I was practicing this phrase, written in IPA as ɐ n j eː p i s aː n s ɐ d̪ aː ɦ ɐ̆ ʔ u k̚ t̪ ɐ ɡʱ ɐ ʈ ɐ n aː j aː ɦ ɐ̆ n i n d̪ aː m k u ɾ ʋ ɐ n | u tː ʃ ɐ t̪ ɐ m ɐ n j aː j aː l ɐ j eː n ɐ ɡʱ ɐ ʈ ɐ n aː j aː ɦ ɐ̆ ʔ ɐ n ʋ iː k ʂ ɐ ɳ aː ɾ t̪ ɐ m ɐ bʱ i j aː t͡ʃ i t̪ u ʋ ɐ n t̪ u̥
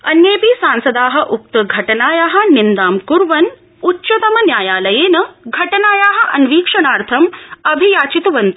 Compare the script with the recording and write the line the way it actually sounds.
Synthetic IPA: ɐ n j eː p i s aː n s ɐ d̪ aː ɦ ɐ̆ ʔ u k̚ t̪ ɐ ɡʱ ɐ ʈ ɐ n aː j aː ɦ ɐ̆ n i n d̪ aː m k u ɾ ʋ ɐ n | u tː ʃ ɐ t̪ ɐ m ɐ n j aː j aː l ɐ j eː n ɐ ɡʱ ɐ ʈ ɐ n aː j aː ɦ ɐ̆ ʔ ɐ n ʋ iː k ʂ ɐ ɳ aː ɾ t̪ʰ ɐ m ɐ bʱ i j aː t͡ʃ i t̪ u ʋ ɐ n t̪ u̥